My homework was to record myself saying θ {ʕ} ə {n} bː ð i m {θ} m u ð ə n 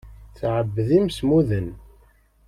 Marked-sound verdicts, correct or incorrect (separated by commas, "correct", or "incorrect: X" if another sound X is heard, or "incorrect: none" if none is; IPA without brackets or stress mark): correct, incorrect: none, incorrect: s